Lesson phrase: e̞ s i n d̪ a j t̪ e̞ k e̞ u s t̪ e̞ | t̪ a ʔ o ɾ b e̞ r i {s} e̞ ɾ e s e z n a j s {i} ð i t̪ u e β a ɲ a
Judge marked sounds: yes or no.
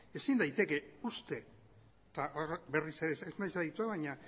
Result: yes, no

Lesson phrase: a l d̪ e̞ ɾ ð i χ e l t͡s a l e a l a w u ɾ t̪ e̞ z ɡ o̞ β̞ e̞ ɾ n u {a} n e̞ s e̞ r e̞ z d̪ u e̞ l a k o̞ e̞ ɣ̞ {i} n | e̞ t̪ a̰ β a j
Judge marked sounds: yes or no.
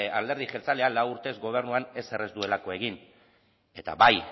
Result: yes, yes

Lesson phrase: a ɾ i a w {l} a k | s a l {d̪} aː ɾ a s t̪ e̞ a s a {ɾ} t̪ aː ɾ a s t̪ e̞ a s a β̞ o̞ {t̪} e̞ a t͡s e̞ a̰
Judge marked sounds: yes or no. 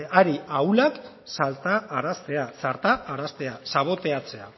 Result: yes, no, yes, yes

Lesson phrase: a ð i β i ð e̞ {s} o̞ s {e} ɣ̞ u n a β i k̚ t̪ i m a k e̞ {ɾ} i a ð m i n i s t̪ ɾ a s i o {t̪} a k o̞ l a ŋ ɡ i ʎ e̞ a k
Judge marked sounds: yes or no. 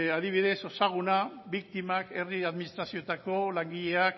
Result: yes, no, no, yes

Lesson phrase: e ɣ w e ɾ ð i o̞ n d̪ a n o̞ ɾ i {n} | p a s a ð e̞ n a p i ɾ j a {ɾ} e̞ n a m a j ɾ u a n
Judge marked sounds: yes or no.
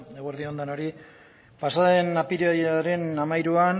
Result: no, yes

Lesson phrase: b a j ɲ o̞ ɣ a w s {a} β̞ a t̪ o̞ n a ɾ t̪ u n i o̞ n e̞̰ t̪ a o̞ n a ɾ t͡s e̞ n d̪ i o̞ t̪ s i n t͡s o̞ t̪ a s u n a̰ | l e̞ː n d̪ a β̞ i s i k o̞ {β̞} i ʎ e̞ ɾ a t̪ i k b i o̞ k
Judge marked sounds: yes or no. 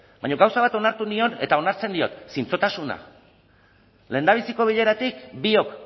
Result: yes, yes

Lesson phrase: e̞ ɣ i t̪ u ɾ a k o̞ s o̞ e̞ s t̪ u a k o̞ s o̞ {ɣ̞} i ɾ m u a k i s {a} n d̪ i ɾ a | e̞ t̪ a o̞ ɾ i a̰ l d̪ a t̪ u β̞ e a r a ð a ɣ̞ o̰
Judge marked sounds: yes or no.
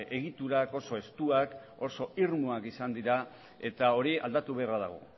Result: no, yes

